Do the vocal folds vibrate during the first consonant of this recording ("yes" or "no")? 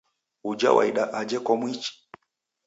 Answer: yes